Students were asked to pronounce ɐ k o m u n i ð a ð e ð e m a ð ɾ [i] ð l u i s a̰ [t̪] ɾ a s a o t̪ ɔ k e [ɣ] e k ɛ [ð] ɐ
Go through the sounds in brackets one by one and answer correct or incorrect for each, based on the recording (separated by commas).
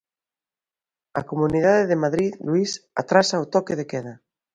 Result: correct, correct, incorrect, correct